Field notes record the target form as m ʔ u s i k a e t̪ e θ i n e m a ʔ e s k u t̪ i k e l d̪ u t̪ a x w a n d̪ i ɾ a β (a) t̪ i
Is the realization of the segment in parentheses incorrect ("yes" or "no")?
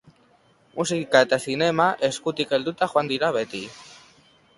yes